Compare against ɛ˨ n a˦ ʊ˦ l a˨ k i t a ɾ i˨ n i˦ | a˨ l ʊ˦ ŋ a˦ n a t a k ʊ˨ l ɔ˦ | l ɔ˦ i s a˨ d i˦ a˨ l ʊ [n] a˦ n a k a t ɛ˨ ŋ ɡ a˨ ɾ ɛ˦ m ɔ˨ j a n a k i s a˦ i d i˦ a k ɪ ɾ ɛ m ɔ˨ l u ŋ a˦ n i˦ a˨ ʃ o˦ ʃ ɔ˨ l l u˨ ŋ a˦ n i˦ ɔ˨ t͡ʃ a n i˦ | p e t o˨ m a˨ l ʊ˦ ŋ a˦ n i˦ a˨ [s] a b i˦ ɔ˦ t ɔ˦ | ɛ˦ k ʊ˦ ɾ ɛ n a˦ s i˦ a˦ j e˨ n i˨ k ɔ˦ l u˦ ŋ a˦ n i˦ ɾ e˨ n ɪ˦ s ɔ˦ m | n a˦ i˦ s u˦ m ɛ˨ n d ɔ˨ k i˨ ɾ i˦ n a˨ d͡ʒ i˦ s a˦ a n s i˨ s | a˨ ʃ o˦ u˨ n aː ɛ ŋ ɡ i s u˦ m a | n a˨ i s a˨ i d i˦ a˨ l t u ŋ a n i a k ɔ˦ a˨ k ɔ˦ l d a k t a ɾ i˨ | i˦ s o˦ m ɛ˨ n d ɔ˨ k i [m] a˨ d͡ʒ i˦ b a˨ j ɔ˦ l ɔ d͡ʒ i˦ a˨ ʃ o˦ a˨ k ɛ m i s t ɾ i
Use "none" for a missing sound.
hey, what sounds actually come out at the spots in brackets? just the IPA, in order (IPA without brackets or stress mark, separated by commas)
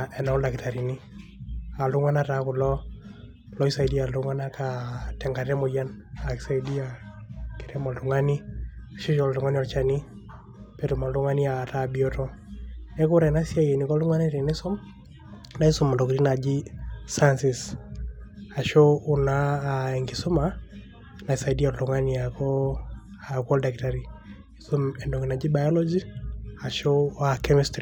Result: ŋ, t, n